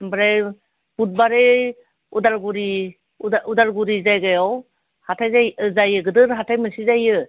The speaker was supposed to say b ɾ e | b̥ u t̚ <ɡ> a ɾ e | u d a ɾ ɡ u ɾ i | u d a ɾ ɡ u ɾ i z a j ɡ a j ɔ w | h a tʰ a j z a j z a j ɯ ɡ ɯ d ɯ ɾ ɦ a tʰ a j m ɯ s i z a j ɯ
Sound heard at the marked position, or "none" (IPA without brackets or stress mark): b